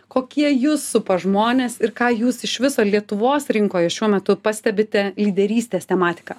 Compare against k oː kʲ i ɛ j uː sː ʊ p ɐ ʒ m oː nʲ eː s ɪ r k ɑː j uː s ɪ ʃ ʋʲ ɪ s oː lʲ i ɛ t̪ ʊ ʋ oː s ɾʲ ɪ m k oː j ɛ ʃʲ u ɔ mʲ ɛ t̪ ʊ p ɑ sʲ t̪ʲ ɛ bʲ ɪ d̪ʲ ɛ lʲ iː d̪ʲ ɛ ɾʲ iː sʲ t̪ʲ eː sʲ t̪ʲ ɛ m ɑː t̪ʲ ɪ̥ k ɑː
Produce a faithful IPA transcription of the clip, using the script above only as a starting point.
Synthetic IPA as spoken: k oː kʲ i ɛ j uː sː ʊ p ɐ ʒ m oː nʲ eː s ɪ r k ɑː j uː s ɪ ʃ ʋʲ ɪ s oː lʲ i ɛ t̪ ʊ ʋ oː s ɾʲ ɪ ŋ k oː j ɛ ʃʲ u ɔ mʲ ɛ t̪ ʊ p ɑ sʲ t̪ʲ ɛ bʲ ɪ t̪ʲ ɛ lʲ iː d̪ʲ ɛ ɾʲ iː sʲ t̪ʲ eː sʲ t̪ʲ ɛ m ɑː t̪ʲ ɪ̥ k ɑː